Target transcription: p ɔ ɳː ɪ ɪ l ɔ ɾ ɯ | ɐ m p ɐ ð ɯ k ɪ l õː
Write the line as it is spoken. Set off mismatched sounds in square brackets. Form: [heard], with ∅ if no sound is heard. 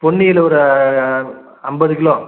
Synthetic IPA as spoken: p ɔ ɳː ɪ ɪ l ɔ ɾ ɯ | ɐ m [b] ɐ ð ɯ k ɪ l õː